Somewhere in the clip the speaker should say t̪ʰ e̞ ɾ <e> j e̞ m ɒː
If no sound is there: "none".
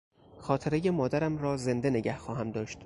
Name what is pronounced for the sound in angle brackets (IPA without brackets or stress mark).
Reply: e